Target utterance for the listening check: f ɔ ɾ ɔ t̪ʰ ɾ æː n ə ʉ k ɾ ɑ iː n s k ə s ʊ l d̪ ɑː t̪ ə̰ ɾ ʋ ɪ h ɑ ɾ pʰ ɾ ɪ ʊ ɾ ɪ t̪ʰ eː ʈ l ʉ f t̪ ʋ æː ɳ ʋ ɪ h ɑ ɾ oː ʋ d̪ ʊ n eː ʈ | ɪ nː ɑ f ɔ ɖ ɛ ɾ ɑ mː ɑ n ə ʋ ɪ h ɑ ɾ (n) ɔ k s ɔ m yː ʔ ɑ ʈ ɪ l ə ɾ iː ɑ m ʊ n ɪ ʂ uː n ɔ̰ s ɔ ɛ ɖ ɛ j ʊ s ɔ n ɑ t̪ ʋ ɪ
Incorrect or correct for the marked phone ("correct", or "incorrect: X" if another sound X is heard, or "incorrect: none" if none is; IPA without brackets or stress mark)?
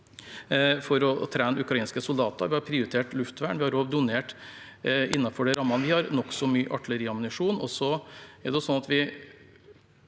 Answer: correct